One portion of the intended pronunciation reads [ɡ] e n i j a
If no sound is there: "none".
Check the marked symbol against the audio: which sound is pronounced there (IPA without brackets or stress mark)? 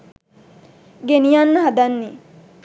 ɡ